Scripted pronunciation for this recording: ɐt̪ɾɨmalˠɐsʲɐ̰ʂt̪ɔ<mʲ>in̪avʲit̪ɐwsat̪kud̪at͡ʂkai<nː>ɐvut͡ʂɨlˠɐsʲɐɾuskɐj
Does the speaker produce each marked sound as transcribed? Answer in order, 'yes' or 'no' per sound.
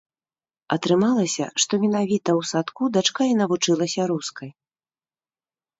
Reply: yes, no

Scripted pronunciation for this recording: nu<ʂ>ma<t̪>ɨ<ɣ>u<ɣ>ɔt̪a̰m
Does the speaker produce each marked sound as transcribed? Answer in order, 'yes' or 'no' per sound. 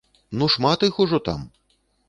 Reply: yes, yes, no, no

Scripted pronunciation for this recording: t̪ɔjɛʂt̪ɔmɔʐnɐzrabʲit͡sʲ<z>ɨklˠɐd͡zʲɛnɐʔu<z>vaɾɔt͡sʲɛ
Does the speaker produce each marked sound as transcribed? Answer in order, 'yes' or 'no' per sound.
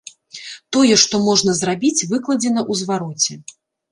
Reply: no, yes

